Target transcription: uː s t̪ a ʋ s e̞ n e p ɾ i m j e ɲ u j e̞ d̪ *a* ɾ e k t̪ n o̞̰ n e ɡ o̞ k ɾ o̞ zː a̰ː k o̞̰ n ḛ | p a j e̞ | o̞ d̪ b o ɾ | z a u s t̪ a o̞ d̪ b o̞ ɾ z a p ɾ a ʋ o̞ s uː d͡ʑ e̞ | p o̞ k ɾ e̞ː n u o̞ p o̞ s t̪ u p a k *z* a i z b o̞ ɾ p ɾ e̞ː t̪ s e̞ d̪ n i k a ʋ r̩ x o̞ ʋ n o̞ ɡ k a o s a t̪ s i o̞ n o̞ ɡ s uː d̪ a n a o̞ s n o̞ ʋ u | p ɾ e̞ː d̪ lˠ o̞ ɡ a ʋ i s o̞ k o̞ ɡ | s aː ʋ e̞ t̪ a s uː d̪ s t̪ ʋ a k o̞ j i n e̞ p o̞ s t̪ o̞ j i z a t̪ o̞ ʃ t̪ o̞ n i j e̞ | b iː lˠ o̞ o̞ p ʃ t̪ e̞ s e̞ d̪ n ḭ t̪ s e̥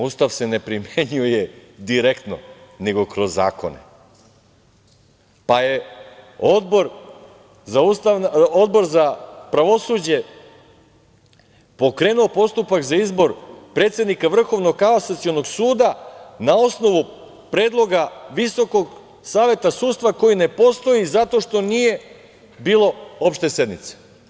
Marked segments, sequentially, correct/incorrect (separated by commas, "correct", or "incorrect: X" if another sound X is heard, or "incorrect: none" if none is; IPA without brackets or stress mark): incorrect: i, correct